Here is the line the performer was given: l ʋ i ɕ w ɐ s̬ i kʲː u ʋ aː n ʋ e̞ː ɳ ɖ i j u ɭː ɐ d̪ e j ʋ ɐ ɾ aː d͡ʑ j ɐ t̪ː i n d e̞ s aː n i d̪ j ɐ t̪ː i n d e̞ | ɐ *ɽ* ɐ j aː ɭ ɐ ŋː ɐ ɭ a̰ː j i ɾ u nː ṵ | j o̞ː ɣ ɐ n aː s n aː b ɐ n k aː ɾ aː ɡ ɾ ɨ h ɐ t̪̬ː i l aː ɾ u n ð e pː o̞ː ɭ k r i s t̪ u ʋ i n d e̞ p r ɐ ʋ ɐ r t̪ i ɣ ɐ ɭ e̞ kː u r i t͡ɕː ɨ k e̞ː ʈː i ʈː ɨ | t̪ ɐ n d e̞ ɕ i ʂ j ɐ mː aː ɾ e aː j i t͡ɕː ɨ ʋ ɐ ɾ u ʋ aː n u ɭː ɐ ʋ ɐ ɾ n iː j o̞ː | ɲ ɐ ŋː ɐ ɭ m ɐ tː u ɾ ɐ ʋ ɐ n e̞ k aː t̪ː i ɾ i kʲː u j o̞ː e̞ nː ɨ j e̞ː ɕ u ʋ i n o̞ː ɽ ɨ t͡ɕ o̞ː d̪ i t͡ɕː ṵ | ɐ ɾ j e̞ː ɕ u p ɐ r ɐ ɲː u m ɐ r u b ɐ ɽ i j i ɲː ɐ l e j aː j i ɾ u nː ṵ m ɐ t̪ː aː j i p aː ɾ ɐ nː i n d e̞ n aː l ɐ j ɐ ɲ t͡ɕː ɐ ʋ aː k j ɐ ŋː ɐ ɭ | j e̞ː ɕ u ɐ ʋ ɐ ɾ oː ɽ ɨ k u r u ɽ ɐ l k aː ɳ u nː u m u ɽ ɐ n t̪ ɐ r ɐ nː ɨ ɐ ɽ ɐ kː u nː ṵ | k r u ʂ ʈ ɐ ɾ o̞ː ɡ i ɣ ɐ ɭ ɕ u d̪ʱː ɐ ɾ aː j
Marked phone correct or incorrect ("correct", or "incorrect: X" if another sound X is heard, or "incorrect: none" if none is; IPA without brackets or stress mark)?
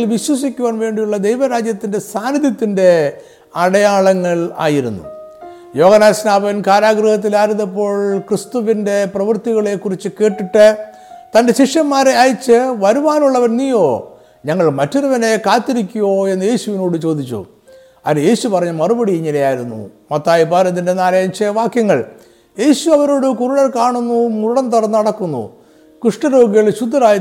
correct